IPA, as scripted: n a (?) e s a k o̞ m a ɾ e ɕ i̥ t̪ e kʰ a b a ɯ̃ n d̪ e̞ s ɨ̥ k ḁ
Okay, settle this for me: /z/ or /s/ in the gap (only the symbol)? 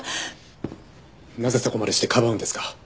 z